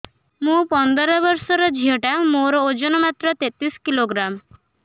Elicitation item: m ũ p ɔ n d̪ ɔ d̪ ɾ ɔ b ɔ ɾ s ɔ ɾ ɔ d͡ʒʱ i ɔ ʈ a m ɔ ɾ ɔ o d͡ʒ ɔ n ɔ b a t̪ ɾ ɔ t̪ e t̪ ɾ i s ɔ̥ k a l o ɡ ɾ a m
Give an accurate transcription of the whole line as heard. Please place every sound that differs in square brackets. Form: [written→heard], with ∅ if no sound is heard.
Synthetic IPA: m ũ p ɔ n d̪ ɔ [d̪→∅] ɾ ɔ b ɔ ɾ s ɔ ɾ ɔ d͡ʒʱ i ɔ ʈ a m [ɔ→o] ɾ ɔ o d͡ʒ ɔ n ɔ [b→m] a t̪ ɾ ɔ t̪ e t̪ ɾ i s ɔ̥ k [a→i] l o ɡ ɾ a m